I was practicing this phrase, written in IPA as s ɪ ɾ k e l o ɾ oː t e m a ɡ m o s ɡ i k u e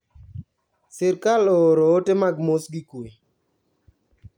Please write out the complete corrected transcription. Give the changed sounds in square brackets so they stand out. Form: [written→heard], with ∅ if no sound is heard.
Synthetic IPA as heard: s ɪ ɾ k [e→a] l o ɾ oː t e m a ɡ m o s ɡ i k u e